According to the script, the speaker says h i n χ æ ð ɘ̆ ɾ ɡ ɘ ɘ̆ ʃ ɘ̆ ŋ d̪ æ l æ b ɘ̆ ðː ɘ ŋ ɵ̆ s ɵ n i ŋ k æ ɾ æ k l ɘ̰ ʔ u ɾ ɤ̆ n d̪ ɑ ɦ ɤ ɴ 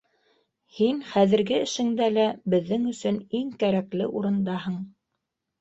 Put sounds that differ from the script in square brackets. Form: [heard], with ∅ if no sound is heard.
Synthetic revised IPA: h i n χ æ ð ɘ̆ ɾ ɡ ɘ ɘ̆ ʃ ɘ̆ ŋ d̪ æ l æ b ɘ̆ ðː ɘ ŋ ɵ̆ s ɵ n i ŋ k æ ɾ æ k l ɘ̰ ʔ u ɾ ɤ̆ n d̪ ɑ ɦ ɤ ɴ